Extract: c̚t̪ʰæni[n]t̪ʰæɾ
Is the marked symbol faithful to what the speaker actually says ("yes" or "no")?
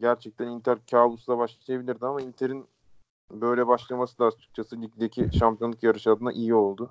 yes